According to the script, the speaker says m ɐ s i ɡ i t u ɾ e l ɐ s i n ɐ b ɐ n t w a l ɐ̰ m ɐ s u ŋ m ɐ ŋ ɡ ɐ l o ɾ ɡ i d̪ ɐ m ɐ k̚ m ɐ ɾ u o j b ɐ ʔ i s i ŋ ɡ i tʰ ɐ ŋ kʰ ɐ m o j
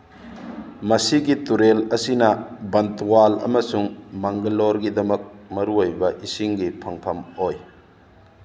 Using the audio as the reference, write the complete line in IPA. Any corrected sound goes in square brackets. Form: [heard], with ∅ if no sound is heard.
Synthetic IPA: m ɐ s i ɡ i t u ɾ e l ɐ s i n ɐ b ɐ n t w a l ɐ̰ m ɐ s u ŋ m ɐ ŋ ɡ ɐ l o ɾ ɡ i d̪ ɐ m ɐ k̚ m ɐ ɾ u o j b ɐ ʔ i s i ŋ ɡ i [pʰ] ɐ ŋ [pʰ] ɐ m o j